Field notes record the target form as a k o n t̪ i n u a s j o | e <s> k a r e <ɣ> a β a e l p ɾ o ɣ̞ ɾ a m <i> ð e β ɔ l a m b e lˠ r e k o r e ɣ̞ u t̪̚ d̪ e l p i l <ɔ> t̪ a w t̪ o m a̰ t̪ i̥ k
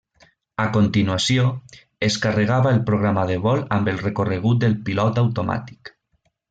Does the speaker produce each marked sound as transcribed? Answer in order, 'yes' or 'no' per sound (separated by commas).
yes, yes, no, yes